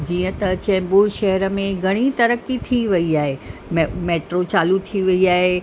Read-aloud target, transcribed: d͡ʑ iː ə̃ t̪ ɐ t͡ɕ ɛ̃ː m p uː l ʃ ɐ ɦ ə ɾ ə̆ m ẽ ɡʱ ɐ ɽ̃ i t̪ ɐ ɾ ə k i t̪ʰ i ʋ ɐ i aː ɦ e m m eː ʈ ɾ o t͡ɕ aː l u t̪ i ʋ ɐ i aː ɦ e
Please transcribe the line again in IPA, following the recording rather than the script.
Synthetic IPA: d͡ʑ iː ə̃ t̪ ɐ t͡ɕ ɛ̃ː m b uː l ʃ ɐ ɦ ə ɾ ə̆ m ẽ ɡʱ ɐ ɽ̃ i t̪ ɐ ɾ ə k i t̪ʰ i ʋ ɐ i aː ɦ e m m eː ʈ ɾ o t͡ɕ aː l u t̪ʰ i ʋ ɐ i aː ɦ e